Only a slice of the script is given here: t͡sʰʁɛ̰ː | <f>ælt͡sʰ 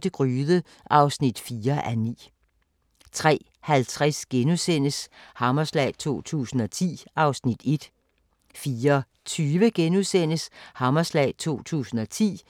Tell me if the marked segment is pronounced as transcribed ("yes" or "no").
no